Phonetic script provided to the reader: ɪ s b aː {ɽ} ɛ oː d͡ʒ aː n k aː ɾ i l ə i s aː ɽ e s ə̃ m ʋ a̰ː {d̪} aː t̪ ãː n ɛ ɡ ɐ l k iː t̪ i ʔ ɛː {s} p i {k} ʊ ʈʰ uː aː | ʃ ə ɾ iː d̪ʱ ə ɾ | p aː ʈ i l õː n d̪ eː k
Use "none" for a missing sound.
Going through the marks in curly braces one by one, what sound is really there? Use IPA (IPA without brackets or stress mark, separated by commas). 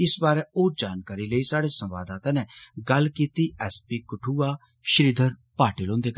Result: ɾ, d̪, s, k